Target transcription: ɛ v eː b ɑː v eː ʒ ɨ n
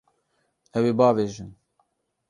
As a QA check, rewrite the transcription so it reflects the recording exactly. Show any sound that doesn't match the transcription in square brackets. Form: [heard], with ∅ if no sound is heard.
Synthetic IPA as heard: ɛ [w] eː b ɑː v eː ʒ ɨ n